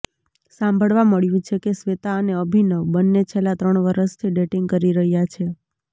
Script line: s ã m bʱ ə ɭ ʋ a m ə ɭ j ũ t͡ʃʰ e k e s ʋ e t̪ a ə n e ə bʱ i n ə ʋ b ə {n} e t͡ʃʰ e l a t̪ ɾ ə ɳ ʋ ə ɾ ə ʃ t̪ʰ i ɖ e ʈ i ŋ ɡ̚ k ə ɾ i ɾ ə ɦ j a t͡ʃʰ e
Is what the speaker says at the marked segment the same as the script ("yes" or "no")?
no